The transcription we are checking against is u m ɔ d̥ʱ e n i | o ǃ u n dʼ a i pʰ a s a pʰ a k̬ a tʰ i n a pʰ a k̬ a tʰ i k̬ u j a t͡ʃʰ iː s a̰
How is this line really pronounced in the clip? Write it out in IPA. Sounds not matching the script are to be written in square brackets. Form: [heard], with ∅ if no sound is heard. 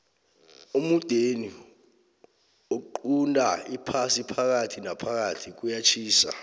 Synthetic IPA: u m [u] d̥ʱ e n i | o ǃ u n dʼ a i pʰ a s [i] pʰ a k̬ a tʰ i n a pʰ a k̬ a tʰ i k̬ u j a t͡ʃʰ iː s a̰